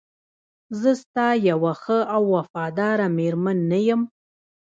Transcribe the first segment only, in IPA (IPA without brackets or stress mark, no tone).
z